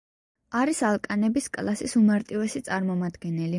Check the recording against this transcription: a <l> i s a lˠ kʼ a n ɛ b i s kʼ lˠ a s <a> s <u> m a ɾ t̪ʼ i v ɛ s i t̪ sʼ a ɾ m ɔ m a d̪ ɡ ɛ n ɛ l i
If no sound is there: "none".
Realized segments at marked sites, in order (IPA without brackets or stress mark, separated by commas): ɾ, i, u